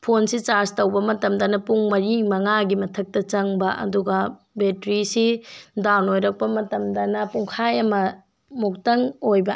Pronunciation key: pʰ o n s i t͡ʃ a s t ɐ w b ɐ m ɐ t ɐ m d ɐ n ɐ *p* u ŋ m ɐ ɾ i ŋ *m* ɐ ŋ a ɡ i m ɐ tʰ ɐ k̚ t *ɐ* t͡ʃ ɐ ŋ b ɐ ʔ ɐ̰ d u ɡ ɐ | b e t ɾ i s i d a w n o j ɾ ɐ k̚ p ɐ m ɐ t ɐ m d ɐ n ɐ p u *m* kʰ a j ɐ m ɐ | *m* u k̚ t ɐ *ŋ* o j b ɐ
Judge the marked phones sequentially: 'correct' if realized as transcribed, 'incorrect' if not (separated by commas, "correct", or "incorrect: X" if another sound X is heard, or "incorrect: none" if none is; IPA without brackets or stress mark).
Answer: correct, correct, correct, incorrect: ŋ, correct, correct